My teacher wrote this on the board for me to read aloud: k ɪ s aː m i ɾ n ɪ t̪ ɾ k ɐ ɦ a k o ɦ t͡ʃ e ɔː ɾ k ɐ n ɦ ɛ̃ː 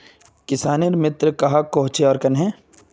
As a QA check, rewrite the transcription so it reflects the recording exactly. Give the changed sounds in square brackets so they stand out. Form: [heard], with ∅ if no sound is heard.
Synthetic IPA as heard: k ɪ s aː [n] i ɾ [m] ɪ t̪ ɾ k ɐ ɦ a k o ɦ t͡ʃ e ɔː ɾ k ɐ n ɦ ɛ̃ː